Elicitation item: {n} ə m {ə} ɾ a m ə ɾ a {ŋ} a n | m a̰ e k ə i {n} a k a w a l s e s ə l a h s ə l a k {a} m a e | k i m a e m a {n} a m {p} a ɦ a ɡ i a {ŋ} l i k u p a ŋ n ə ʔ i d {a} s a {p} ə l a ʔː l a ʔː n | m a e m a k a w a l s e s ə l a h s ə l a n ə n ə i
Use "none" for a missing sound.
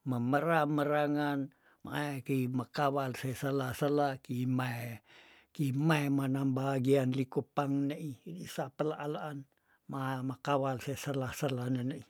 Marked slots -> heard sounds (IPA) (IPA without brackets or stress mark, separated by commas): m, ə, ŋ, m, i, n, b, n, i, p